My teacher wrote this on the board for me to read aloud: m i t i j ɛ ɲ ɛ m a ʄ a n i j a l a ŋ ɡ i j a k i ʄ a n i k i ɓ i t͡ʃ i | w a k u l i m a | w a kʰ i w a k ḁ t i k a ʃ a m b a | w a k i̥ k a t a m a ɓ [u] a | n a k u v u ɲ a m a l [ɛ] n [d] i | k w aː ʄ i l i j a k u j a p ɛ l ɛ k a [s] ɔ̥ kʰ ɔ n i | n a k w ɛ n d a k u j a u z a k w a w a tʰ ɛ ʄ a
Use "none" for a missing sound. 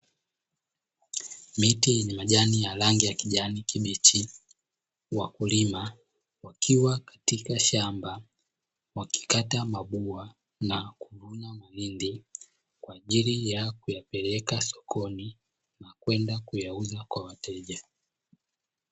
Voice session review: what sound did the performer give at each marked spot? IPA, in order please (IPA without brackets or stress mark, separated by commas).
u, i, d, s